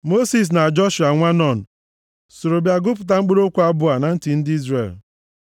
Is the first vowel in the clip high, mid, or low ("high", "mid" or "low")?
mid